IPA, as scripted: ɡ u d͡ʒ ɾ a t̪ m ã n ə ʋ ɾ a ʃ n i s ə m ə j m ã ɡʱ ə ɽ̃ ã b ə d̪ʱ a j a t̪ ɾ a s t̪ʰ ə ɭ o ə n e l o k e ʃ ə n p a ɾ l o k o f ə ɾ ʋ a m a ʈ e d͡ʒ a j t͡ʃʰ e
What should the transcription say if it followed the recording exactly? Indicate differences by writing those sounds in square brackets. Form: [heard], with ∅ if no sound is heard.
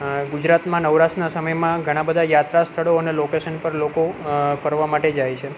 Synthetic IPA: ɡ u d͡ʒ ɾ a t̪ m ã n ə ʋ ɾ a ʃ n [a] s ə m ə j m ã ɡʱ ə ɽ̃ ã b ə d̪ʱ a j a t̪ ɾ a s t̪ʰ ə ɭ o ə n e l o k e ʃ ə n p [ə] ɾ l o k o f ə ɾ ʋ a m a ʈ e d͡ʒ a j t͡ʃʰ e